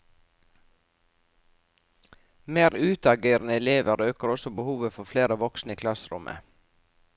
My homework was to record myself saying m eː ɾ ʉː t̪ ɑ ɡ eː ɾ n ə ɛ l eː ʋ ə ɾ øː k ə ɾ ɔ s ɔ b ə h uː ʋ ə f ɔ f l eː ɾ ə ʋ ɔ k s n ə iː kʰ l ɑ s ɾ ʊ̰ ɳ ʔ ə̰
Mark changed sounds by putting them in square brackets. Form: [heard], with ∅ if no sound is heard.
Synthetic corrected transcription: m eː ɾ ʉː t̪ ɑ ɡ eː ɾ n ə ɛ l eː ʋ ə ɾ øː k ə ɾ ɔ s ɔ b ə h uː ʋ ə f ɔ f l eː ɾ ə ʋ ɔ k s n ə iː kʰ l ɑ s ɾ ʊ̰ [m] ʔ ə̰